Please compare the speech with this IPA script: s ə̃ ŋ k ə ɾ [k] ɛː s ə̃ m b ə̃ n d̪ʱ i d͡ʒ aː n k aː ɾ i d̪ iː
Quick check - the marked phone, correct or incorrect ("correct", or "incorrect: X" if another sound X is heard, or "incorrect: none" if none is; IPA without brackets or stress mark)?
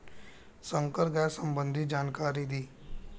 incorrect: ɡ